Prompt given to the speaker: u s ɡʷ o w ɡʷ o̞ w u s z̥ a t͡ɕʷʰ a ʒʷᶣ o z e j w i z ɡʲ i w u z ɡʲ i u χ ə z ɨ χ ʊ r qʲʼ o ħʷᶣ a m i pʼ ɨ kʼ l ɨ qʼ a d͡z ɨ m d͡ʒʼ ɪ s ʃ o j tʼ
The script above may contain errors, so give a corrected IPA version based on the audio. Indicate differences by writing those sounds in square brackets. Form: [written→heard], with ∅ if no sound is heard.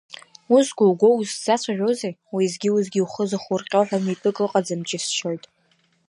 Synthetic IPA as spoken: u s ɡʷ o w ɡʷ o̞ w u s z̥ a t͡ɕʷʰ a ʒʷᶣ o z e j w i z ɡʲ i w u z ɡʲ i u χ ə z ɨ χ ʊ r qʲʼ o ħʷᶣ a m i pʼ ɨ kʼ l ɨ qʼ a d͡z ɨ m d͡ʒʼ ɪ s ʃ o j tʼ